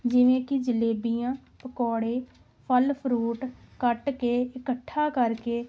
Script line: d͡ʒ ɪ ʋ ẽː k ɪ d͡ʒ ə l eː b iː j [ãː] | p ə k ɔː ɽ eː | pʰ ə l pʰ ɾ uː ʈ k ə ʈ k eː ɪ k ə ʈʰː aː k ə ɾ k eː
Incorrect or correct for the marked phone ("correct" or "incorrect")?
correct